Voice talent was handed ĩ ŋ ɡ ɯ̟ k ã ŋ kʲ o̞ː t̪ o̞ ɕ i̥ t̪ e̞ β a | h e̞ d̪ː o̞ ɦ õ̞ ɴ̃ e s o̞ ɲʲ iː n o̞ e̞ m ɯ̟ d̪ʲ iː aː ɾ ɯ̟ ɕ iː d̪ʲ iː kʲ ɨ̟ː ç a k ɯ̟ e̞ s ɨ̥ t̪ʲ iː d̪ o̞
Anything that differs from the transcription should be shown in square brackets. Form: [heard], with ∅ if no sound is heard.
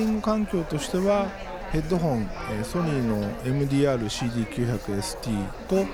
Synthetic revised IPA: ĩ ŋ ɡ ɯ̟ k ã ŋ kʲ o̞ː t̪ o̞ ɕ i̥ t̪ e̞ β a | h e̞ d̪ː o̞ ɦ õ̞ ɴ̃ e s o̞ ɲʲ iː n o̞ e̞ m ɯ̟ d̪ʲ iː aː ɾ ɯ̟ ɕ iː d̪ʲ iː kʲ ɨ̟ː ç a k ɯ̟ e̞ s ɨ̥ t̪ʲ iː [t̪] o̞